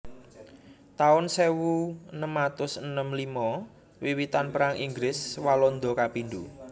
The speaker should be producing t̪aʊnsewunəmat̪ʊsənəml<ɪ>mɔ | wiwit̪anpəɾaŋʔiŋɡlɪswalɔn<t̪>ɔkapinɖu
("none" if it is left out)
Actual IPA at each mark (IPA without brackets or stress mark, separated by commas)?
i, d̪